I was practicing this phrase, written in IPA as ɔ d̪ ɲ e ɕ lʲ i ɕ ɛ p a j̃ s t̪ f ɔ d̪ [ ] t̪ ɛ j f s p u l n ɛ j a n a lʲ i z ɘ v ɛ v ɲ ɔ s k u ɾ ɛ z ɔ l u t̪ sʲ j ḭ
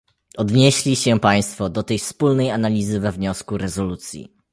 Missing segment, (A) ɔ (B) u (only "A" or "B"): A